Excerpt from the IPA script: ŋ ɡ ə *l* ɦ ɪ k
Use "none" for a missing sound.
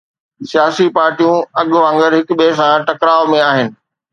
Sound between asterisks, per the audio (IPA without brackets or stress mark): ɾ